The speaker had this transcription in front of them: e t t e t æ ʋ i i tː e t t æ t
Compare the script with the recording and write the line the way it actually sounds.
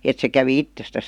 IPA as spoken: e t s e k æ ʋ i i tː e s t æ s